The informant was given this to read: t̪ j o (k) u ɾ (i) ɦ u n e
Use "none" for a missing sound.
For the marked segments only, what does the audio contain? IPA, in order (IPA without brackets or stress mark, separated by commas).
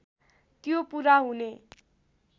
p, a